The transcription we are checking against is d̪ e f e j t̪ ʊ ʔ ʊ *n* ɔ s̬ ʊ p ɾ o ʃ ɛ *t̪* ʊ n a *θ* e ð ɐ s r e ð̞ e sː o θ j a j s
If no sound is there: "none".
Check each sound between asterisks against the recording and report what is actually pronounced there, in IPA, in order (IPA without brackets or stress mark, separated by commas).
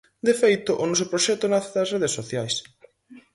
n, t̪, θ